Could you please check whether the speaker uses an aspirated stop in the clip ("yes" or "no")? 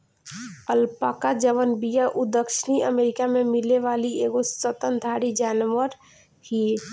no